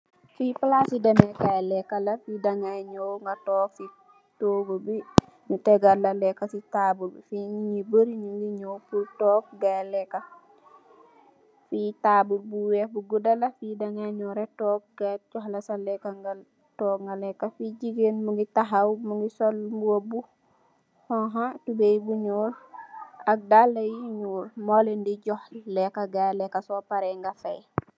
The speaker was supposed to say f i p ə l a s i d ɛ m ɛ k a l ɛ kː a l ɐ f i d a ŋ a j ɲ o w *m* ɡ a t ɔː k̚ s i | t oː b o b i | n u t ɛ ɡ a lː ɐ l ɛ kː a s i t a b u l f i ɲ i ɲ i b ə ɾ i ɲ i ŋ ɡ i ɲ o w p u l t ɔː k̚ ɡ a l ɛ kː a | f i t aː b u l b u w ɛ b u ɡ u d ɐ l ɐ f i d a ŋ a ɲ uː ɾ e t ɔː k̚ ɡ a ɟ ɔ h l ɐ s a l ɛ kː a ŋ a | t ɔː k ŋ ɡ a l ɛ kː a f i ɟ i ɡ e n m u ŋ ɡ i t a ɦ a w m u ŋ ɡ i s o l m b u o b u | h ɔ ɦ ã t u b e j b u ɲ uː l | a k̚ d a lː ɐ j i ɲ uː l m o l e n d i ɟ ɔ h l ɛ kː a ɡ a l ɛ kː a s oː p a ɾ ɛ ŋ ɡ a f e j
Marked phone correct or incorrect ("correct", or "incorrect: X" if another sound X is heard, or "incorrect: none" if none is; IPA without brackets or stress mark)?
incorrect: ŋ